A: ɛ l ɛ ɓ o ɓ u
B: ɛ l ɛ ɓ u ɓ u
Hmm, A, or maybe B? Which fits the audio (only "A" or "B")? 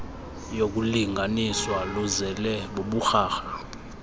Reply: A